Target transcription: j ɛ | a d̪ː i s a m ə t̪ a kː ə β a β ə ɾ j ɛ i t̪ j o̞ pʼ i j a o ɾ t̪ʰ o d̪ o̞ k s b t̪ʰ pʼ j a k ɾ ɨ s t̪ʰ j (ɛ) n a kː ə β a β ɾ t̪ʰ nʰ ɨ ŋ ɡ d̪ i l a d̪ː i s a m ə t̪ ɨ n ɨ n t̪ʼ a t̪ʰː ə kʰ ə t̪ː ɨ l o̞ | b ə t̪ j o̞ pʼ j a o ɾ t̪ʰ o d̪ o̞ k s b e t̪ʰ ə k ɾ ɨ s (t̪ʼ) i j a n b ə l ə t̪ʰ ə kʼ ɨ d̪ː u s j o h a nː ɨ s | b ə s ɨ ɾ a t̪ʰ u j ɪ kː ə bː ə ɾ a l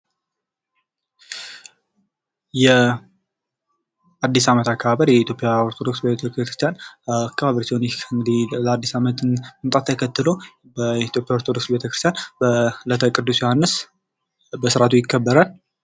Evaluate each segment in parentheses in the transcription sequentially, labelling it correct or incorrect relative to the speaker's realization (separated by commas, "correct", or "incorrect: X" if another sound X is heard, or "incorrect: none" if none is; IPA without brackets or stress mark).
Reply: incorrect: a, incorrect: t̪